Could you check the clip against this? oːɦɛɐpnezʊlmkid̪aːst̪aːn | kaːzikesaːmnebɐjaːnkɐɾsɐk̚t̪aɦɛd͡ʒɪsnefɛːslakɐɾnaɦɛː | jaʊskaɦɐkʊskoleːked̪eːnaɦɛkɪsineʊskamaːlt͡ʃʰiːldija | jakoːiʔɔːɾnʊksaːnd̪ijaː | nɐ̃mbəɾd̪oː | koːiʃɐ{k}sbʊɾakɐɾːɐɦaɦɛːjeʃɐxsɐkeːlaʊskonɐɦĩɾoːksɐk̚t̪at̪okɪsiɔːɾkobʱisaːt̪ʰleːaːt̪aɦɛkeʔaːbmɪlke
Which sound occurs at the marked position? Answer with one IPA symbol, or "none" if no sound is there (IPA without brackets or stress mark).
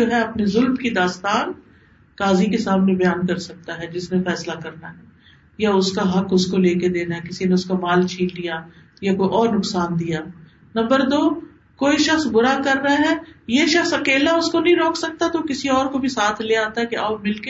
x